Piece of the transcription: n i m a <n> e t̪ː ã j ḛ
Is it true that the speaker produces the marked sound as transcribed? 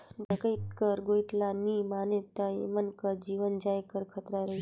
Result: yes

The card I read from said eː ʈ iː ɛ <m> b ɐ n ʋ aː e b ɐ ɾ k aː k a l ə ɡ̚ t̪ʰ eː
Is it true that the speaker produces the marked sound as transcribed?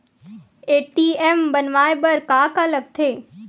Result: yes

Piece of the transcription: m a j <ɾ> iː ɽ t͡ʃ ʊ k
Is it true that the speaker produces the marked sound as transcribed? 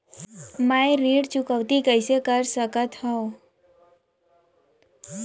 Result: yes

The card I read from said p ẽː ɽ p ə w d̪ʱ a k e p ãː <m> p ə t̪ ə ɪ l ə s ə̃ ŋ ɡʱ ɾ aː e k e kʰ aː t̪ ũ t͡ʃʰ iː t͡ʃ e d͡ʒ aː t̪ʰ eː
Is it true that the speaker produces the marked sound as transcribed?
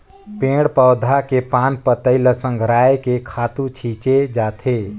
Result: no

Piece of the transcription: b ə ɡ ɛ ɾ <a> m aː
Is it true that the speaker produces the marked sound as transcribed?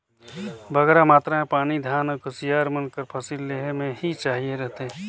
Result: yes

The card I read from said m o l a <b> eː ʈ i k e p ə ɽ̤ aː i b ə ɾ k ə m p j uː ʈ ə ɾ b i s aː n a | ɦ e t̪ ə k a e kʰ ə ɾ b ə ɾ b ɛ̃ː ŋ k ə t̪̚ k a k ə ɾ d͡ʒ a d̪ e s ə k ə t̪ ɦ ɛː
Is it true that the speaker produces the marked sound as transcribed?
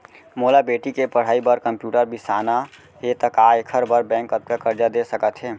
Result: yes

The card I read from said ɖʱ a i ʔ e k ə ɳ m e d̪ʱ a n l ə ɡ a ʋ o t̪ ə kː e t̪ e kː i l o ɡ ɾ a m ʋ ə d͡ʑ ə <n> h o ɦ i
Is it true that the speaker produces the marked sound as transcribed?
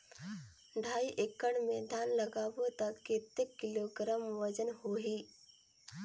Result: yes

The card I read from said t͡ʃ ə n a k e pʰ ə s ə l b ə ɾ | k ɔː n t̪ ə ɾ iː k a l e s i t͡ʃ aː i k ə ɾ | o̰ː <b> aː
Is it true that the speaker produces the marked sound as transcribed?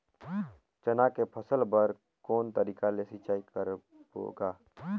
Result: no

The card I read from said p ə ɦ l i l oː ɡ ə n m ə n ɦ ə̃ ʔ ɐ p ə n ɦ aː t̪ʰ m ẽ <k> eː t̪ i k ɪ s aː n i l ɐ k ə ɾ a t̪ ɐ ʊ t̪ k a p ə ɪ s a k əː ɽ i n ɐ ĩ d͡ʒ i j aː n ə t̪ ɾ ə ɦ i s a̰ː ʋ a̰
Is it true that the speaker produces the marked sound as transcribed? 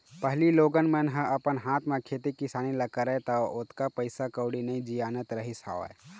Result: no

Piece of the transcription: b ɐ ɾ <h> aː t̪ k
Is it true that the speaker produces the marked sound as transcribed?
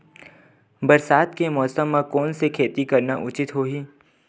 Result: no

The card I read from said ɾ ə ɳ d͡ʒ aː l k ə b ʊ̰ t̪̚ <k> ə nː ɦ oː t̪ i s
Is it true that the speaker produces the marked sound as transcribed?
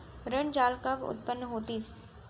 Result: no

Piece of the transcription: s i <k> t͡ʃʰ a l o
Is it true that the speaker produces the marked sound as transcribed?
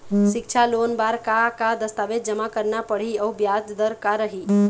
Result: yes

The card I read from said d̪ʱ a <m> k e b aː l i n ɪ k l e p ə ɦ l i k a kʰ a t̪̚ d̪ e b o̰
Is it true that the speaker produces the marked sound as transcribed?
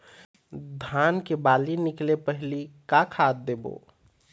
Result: no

